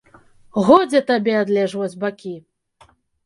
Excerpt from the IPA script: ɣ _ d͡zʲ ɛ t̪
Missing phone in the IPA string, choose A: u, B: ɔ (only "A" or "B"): B